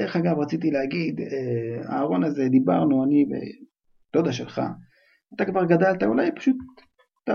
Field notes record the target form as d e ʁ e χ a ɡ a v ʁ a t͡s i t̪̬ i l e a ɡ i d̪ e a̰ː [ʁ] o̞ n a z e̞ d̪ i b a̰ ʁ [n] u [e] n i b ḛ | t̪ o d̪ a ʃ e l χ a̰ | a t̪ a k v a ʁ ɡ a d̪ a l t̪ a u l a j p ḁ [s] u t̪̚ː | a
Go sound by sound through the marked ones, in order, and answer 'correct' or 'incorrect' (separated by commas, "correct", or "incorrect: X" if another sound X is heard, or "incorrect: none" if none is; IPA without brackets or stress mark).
correct, correct, incorrect: a, incorrect: ʃ